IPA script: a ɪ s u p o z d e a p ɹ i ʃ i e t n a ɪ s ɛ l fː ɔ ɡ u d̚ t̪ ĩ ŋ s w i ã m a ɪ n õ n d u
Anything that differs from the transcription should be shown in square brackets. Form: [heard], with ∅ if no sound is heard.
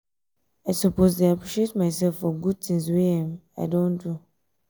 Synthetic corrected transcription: a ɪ s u p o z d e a p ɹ i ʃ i e t [m] a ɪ s ɛ l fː ɔ ɡ u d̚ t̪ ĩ ŋ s w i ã m a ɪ [d] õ n d u